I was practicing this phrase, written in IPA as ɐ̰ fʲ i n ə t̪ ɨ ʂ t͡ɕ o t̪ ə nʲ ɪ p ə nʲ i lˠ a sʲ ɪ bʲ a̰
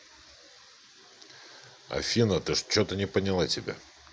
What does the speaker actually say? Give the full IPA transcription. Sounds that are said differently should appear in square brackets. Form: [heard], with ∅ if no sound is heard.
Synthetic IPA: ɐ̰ fʲ i n ə t̪ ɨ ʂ t͡ɕ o t̪ ə nʲ ɪ p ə nʲ [ɪ] lˠ a [tʲ] ɪ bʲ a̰